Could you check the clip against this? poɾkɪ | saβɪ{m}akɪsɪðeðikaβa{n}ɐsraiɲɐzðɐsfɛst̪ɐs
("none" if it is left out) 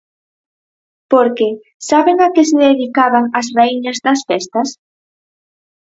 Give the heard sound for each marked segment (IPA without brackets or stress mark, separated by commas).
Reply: ŋ, ŋ